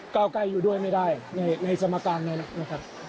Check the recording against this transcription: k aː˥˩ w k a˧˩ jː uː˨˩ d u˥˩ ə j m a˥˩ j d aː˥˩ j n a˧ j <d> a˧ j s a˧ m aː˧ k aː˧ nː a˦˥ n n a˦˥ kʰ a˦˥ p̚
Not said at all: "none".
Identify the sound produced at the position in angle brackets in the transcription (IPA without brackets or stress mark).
n